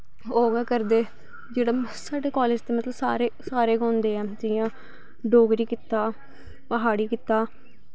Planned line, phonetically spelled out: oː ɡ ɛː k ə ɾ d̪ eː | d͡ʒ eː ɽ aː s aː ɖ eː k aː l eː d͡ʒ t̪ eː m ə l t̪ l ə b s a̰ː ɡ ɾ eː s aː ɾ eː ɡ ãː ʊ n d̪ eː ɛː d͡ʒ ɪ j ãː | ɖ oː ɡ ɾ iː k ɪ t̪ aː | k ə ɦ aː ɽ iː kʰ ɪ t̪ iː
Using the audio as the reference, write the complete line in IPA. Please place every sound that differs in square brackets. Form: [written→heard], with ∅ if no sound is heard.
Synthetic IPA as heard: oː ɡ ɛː k ə ɾ d̪ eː | d͡ʒ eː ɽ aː s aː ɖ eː k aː l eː d͡ʒ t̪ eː m ə [l→∅] t̪ l ə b s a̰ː [ɡ→∅] ɾ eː s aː ɾ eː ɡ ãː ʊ n d̪ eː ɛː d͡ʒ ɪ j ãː | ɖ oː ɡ ɾ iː k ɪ t̪ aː | [k→p] ə ɦ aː ɽ iː [kʰ→k] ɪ t̪ [iː→aː]

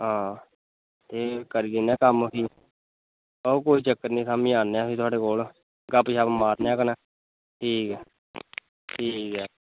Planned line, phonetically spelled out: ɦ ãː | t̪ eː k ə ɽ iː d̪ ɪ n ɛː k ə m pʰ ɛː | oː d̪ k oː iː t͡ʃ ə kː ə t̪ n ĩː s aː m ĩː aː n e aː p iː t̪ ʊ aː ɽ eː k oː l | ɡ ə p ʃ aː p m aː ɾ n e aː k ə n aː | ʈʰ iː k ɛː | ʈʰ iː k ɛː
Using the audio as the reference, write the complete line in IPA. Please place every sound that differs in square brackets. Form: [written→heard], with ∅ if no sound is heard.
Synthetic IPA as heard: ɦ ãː | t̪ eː k ə [ɽ→ɾ] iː d̪ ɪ n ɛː k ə m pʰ [ɛː→iː] | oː [d̪→∅] k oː iː t͡ʃ ə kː ə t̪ n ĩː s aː m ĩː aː n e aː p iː t̪ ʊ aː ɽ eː k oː l | ɡ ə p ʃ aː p m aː ɾ n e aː k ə n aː | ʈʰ iː k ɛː | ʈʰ iː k ɛː

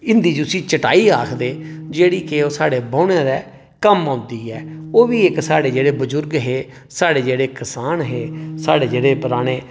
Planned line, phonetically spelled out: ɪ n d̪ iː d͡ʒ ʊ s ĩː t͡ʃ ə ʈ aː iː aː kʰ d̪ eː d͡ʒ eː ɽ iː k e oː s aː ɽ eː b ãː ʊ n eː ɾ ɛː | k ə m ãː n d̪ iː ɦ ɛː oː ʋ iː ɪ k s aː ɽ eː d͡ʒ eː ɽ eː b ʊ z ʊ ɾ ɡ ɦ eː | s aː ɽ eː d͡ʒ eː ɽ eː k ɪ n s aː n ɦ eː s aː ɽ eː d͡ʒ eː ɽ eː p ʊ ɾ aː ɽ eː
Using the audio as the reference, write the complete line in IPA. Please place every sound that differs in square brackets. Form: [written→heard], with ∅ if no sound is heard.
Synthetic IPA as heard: ɪ n d̪ iː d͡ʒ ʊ s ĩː t͡ʃ ə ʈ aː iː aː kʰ d̪ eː d͡ʒ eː ɽ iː k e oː s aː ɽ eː b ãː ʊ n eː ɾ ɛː | k ə m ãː n d̪ iː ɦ ɛː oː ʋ iː ɪ k s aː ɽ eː d͡ʒ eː ɽ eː b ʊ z ʊ ɾ ɡ ɦ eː | s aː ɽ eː d͡ʒ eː ɽ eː k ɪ [n→∅] s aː n ɦ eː s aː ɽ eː d͡ʒ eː ɽ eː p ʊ ɾ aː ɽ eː

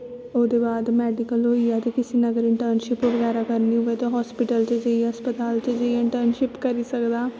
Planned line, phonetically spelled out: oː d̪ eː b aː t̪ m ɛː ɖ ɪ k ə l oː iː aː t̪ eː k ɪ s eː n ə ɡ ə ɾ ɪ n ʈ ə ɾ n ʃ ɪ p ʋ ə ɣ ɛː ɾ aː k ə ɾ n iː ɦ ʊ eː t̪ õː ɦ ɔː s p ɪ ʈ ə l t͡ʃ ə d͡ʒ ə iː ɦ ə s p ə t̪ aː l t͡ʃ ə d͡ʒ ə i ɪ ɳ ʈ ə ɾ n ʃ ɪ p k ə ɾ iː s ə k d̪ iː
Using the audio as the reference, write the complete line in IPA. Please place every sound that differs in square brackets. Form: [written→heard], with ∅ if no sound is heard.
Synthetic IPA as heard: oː d̪ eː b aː [t̪→d̪] m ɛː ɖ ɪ k ə l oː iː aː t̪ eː k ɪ s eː n ə ɡ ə ɾ ɪ [n→ɳ] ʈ ə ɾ n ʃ ɪ p ʋ ə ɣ ɛː ɾ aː k ə ɾ n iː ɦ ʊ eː t̪ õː ɦ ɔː s p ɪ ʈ ə l t͡ʃ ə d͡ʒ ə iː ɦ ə s p ə t̪ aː l t͡ʃ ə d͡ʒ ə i ɪ ɳ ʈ ə ɾ n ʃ ɪ p k ə ɾ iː s ə k d̪ [iː→aː]

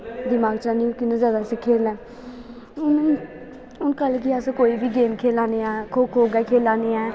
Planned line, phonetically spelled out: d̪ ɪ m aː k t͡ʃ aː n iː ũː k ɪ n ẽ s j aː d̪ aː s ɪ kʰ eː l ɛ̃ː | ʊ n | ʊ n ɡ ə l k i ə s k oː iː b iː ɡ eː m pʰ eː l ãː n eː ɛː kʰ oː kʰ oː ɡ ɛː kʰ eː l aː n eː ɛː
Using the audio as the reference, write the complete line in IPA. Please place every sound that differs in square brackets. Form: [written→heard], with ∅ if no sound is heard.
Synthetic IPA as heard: d̪ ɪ m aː [k→ɡ] t͡ʃ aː n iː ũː k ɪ n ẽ [s→z] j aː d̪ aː s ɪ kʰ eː l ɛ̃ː | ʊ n | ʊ n [ɡ→k] ə l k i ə s k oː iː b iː ɡ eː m [pʰ→kʰ] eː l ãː n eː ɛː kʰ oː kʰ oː ɡ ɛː kʰ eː l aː n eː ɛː

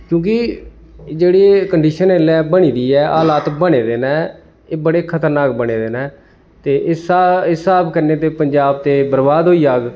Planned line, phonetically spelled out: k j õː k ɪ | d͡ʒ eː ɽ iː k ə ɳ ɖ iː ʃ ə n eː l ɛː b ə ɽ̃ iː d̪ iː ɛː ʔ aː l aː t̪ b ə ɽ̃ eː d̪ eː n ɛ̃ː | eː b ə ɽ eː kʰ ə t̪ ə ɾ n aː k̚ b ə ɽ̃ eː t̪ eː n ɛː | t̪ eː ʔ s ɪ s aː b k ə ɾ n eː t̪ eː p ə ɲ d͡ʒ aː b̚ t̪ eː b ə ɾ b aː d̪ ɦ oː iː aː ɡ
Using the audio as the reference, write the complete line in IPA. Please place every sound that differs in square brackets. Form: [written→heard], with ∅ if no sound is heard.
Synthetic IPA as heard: k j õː k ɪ | d͡ʒ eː ɽ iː k ə ɳ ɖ iː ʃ ə n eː l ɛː b ə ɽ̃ iː d̪ iː ɛː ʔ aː l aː t̪ b ə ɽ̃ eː d̪ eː n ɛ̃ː | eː b ə ɽ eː kʰ ə t̪ ə ɾ n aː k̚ b ə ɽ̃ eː [t̪→d̪] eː n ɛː | t̪ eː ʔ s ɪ s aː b k ə ɾ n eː t̪ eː p ə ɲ d͡ʒ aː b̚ t̪ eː b ə ɾ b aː d̪ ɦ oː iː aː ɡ

